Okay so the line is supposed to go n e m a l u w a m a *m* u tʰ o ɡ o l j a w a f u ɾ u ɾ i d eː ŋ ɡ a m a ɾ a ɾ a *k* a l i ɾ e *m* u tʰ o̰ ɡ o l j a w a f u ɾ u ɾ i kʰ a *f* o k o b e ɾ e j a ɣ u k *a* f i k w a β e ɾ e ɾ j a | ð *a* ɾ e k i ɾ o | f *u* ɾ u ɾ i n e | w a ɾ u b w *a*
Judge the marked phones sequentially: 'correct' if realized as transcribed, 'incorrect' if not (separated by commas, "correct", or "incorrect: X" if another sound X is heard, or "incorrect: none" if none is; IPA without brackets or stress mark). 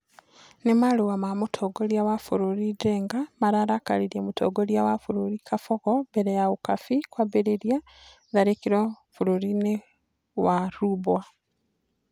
correct, correct, correct, correct, correct, correct, correct, correct